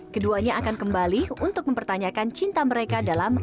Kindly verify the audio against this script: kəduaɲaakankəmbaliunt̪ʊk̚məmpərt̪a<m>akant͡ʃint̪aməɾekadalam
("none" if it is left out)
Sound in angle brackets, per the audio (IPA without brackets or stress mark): ɲ